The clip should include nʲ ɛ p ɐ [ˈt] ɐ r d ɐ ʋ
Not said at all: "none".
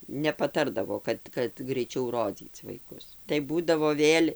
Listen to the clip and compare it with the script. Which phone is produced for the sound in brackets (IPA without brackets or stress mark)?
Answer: t